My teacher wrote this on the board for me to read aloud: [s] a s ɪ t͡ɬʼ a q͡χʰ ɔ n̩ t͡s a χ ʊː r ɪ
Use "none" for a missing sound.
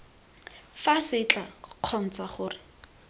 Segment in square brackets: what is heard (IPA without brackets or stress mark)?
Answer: f